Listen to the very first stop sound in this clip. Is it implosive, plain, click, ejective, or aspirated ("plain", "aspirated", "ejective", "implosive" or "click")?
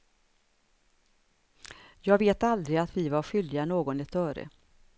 plain